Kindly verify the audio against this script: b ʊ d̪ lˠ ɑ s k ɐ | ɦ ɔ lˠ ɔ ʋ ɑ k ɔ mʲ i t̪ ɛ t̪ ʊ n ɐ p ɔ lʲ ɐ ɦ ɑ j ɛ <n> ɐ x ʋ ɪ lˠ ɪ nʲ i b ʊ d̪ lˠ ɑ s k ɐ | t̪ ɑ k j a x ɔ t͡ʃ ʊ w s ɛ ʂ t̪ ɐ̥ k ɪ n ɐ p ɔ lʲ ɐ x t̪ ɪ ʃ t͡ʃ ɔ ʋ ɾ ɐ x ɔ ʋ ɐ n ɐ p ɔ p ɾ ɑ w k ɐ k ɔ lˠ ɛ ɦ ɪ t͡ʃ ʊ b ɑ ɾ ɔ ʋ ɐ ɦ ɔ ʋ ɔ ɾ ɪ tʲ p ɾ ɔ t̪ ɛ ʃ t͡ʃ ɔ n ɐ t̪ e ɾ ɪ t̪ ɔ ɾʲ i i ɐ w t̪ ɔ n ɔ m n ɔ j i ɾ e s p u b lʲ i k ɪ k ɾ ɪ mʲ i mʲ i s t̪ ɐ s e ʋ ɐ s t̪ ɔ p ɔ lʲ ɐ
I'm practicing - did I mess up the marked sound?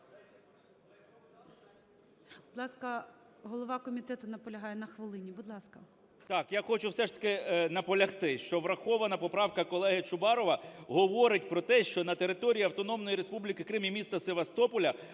no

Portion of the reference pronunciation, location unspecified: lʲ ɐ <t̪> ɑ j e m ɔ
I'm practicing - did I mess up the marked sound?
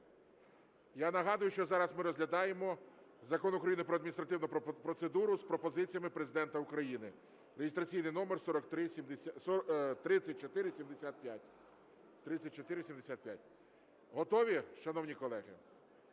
yes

